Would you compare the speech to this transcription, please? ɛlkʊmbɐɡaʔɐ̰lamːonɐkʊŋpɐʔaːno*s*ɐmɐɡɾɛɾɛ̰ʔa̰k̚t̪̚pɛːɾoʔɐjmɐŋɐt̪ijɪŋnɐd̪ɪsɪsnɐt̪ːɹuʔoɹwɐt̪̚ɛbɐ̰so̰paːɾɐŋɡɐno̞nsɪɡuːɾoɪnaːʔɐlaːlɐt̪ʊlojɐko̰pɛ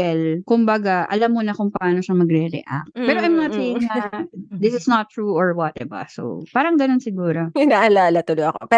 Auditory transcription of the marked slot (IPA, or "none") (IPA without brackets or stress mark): ʃ